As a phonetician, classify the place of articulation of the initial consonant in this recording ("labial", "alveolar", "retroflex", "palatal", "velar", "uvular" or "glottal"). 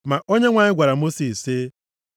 labial